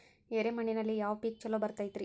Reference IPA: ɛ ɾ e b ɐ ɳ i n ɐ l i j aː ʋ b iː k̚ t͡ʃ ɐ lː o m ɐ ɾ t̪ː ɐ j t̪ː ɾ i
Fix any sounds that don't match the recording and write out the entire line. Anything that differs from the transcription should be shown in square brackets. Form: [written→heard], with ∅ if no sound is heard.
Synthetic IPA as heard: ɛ ɾ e [b→m] ɐ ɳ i n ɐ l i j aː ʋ [b→p] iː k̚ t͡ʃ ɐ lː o [m→b] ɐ ɾ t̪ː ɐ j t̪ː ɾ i